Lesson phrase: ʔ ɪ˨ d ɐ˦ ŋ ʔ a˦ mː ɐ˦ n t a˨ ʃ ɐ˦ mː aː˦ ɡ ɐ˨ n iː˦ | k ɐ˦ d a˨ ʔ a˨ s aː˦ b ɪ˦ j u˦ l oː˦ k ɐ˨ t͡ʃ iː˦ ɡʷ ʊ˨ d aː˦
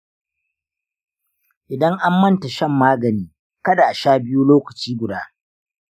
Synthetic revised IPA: ʔ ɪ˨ d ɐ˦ ŋ ʔ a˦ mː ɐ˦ n t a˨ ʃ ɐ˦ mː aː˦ ɡ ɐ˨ n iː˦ | k ɐ˦ d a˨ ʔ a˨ ʃ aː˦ b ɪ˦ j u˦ l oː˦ k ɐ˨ t͡ʃ iː˦ ɡʷ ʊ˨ d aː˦